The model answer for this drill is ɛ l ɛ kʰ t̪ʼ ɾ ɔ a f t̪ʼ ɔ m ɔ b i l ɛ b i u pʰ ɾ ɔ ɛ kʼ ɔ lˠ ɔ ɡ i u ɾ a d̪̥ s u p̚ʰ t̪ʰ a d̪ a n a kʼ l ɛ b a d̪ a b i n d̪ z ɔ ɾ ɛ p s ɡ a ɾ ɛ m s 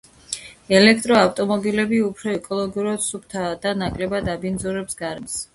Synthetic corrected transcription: ɛ l ɛ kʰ t̪ʼ ɾ ɔ a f t̪ʼ ɔ m ɔ b i l ɛ b i u pʰ ɾ ɔ ɛ kʼ ɔ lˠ ɔ ɡ i u ɾ a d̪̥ s u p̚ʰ t̪ʰ a d̪ a n a kʼ l ɛ b a d̪ a b i n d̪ z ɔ ɾ ɛ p s ɡ a ɾ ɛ m s